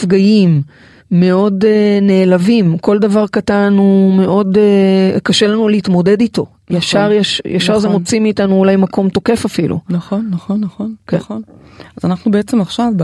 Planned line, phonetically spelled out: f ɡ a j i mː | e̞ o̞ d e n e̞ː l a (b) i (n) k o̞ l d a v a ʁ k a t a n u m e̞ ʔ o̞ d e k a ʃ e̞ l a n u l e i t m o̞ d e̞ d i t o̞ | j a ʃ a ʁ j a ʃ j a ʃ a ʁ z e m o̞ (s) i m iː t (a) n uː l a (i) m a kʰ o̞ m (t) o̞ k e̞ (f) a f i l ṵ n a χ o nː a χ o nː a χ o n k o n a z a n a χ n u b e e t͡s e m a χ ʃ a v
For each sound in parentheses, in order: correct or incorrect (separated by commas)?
incorrect, incorrect, incorrect, correct, incorrect, correct, correct